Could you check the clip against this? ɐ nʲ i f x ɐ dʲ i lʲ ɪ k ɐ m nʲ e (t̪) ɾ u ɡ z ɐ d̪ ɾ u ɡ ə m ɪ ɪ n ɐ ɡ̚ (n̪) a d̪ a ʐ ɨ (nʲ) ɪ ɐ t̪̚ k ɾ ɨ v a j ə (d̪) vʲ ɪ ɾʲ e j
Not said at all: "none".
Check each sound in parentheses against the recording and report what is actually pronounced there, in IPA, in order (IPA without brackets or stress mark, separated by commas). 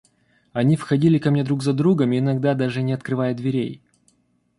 d̪, d̪, nʲ, d̪